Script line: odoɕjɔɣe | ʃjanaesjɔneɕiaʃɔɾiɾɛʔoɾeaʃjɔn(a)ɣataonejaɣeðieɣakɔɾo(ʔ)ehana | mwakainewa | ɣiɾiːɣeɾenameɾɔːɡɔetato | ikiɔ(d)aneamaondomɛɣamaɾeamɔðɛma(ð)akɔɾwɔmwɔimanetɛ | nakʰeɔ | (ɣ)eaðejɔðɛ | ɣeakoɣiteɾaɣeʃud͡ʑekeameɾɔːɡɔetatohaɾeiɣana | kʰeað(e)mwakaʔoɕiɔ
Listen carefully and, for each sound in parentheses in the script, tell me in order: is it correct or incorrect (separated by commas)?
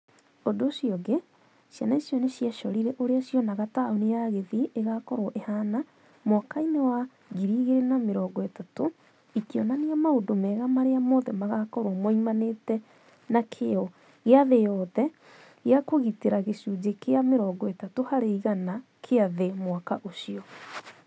correct, correct, incorrect, incorrect, correct, correct